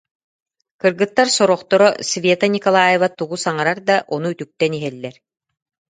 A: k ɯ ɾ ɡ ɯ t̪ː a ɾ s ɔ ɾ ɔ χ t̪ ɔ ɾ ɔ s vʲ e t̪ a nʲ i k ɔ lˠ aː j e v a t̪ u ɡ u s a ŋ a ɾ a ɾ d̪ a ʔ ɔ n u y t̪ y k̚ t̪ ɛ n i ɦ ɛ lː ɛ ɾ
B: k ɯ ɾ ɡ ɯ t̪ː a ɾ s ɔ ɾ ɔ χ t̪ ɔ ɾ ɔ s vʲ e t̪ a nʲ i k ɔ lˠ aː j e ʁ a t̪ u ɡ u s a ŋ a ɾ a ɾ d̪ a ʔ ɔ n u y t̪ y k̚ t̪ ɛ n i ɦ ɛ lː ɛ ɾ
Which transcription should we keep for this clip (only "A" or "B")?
A